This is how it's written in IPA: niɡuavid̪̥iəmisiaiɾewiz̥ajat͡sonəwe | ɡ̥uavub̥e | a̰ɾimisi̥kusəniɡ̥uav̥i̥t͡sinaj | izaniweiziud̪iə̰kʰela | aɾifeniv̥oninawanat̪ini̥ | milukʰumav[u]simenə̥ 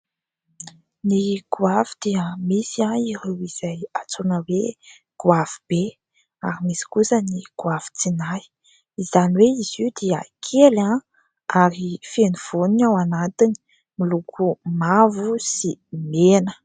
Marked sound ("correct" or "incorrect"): correct